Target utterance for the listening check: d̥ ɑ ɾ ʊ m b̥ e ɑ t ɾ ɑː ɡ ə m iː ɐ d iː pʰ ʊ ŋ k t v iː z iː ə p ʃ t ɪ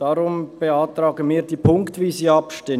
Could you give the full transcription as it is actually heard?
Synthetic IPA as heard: d̥ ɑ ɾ ʊ m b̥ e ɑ t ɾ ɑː ɡ ə m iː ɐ d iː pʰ ʊ ŋ k t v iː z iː ɑ p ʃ t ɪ